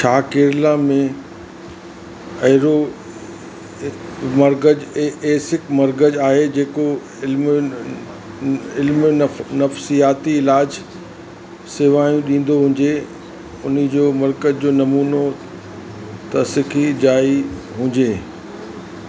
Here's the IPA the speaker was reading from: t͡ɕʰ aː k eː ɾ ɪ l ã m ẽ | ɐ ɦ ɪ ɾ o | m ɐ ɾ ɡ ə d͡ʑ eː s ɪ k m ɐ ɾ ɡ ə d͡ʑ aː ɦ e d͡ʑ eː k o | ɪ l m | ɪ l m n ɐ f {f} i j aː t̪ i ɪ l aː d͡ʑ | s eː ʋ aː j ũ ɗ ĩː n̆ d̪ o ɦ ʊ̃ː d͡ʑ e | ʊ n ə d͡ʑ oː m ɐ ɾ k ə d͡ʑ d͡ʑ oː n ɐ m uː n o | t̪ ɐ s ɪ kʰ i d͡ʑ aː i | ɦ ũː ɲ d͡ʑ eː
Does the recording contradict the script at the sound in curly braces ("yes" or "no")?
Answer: yes